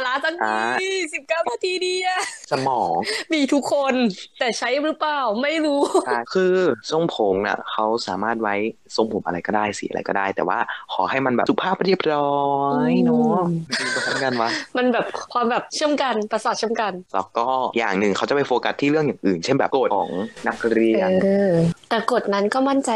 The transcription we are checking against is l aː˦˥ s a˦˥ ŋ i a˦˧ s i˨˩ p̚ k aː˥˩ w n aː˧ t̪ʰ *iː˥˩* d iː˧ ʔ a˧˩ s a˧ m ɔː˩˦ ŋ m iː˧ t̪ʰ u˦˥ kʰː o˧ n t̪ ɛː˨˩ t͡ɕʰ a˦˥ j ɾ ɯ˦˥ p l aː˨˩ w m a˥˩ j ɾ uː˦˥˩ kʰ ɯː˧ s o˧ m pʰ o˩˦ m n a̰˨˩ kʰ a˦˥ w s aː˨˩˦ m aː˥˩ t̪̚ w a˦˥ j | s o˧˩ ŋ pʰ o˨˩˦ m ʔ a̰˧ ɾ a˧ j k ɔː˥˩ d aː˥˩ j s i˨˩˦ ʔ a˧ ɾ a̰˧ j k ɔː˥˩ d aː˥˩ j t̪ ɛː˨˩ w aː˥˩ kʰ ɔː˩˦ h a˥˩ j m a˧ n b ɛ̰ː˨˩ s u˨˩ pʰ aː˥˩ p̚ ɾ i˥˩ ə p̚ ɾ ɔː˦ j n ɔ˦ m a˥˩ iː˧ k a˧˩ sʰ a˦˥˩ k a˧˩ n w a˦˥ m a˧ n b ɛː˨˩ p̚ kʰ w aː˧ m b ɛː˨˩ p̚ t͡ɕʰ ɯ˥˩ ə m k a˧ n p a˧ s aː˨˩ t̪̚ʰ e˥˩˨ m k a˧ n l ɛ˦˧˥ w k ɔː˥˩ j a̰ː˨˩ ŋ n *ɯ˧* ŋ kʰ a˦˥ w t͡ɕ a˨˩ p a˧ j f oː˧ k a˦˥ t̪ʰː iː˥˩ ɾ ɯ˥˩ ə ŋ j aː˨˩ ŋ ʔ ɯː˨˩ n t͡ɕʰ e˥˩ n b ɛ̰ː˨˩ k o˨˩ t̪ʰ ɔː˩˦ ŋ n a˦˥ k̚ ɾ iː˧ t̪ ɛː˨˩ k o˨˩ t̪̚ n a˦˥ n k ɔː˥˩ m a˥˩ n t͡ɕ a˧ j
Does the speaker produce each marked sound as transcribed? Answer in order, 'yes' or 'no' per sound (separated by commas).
no, no